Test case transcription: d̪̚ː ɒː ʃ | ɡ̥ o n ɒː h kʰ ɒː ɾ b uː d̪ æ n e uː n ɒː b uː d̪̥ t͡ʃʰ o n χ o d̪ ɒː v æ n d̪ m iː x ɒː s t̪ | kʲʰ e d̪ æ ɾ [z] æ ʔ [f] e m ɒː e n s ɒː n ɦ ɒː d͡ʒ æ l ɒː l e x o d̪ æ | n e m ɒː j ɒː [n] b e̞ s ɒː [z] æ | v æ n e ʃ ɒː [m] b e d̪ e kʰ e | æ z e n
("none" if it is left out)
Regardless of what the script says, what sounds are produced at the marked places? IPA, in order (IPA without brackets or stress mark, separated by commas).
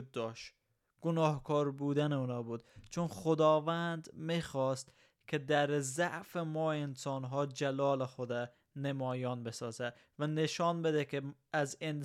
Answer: z, f, n, z, n